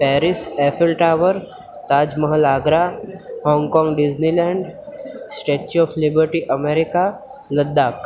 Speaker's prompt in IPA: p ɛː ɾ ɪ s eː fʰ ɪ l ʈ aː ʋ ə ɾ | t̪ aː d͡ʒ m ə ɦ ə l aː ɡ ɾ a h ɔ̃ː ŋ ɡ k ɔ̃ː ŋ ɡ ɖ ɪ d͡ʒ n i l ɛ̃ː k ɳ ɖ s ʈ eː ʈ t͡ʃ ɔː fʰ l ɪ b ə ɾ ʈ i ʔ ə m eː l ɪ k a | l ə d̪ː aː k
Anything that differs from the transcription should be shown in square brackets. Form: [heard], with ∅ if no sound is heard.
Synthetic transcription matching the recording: p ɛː ɾ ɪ s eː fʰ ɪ l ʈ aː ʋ ə ɾ | t̪ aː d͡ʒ m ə ɦ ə l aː ɡ ɾ a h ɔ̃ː ŋ ɡ k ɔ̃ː ŋ ɡ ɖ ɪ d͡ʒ n i l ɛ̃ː [∅] ɳ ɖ s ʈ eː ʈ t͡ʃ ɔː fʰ l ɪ b ə ɾ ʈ i ʔ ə m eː [ɾ] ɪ k a | l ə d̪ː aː k